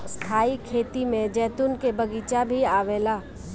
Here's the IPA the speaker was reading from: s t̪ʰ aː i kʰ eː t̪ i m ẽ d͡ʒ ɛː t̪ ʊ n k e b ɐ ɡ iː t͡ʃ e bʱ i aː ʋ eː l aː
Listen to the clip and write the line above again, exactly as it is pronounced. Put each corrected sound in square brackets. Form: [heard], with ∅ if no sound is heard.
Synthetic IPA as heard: s t̪ʰ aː i kʰ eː t̪ i m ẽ d͡ʒ ɛː t̪ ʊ n k e b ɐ ɡ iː t͡ʃ [a] bʱ i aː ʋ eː l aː